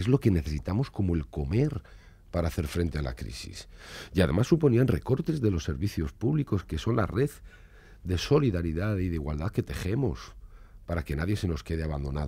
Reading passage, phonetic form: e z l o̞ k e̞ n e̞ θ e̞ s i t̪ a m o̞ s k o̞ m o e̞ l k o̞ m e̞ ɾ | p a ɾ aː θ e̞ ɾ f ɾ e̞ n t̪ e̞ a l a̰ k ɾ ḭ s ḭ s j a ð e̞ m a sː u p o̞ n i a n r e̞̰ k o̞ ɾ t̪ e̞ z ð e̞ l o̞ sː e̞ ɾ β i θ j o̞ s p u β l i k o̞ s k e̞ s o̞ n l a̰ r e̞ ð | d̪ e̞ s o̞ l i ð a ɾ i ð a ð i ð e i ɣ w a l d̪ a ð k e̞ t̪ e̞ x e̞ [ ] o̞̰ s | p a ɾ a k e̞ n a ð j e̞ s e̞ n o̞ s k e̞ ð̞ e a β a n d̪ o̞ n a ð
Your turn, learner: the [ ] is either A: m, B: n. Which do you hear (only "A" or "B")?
A